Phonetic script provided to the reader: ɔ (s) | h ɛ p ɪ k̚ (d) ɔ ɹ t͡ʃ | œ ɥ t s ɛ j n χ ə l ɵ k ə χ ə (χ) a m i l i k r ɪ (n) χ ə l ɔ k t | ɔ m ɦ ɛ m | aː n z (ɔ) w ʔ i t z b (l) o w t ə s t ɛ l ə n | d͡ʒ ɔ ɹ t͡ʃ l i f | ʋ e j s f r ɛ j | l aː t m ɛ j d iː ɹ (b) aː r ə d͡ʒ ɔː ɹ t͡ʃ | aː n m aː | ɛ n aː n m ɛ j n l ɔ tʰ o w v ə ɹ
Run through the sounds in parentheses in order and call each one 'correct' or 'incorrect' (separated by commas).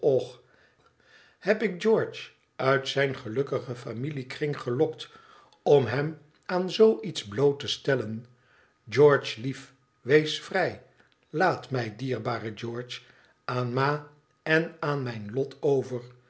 incorrect, incorrect, incorrect, incorrect, incorrect, correct, correct